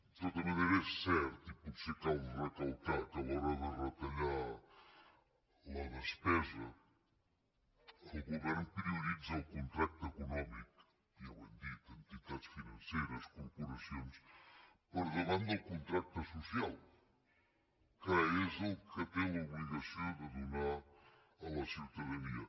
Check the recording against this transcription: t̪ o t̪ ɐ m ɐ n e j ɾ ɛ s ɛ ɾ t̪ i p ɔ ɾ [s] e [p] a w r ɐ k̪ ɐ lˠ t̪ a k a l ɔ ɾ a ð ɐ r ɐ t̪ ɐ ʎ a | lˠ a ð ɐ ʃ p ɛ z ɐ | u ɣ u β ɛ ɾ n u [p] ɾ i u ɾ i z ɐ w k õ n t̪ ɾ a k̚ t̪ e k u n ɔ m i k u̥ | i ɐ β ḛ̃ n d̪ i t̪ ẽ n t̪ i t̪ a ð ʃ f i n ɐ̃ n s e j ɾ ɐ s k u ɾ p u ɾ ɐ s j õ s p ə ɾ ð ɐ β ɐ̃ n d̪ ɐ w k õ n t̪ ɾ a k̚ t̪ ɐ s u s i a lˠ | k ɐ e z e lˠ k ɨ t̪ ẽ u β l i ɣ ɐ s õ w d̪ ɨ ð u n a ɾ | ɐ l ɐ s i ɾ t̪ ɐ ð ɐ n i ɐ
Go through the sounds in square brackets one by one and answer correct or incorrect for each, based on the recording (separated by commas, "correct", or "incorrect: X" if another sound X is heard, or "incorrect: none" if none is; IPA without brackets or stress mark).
correct, incorrect: k, correct